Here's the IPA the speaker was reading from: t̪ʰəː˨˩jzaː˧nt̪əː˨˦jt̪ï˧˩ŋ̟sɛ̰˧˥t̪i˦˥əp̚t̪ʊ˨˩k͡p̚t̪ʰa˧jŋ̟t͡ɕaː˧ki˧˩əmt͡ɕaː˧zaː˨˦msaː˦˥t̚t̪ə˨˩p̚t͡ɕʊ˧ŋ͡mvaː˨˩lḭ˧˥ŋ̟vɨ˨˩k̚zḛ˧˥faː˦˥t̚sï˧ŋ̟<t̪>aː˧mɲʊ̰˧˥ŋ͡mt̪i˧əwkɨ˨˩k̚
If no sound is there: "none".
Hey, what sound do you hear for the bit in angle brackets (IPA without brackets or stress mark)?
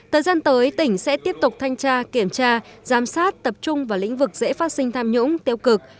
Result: t̪ʰ